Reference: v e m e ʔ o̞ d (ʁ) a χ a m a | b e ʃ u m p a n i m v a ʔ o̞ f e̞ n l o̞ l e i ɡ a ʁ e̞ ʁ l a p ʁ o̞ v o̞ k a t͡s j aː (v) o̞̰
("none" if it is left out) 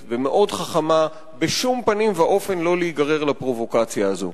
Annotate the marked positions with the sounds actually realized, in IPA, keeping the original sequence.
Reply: χ, z

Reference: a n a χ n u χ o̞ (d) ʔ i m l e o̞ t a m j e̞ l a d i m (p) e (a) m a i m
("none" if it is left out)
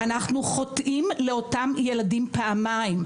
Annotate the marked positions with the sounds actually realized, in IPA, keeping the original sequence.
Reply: t, p, a

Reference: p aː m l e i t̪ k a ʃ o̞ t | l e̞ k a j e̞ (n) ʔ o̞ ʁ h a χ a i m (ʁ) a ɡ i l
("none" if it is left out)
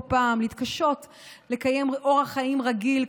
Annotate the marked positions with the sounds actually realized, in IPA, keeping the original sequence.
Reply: m, ʁ

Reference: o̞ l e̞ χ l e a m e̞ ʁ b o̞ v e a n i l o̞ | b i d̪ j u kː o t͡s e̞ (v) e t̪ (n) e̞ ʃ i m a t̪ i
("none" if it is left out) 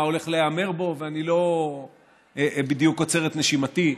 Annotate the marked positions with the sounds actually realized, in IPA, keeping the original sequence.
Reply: ʁ, n

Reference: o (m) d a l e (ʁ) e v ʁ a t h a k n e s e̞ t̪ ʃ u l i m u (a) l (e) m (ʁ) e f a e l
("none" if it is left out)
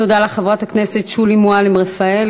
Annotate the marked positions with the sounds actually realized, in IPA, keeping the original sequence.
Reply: none, χ, a, i, ʁ

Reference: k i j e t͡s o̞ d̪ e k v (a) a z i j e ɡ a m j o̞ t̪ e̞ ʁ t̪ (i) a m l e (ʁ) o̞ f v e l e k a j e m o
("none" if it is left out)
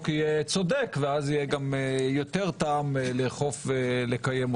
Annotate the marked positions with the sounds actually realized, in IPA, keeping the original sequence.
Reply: e, a, χ

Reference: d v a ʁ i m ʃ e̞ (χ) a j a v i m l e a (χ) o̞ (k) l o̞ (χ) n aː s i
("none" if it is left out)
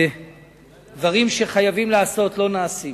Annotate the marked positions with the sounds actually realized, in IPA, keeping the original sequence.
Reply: χ, s, t, none

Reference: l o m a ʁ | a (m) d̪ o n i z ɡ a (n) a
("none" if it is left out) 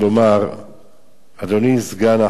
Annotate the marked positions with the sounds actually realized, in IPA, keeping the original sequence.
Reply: none, n

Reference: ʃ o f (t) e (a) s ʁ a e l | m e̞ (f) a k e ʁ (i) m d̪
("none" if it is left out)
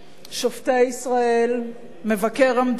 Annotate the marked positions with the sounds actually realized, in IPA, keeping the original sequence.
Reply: t, i, v, a

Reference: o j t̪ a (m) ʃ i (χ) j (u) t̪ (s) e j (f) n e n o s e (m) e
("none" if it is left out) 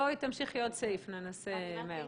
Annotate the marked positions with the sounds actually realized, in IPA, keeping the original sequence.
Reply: m, χ, o, s, f, m

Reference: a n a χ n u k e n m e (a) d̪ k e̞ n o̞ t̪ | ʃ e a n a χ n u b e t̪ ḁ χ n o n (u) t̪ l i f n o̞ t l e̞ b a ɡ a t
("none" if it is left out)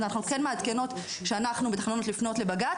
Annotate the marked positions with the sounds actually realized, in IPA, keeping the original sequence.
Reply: a, o

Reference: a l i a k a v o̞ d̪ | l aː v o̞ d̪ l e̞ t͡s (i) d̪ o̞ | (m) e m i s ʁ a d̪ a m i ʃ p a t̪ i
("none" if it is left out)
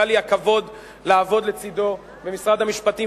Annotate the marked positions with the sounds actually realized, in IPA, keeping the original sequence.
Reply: i, b

